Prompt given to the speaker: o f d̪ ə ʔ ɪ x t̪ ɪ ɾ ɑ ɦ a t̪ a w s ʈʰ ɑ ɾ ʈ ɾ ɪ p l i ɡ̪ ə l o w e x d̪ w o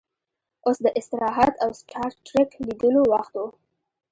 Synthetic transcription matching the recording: o s d̪ ə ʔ ɪ s t̪ ɪ ɾ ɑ ɦ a t̪ a w s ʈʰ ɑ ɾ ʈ ɾ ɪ k l i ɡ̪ ə l o w a x t̪ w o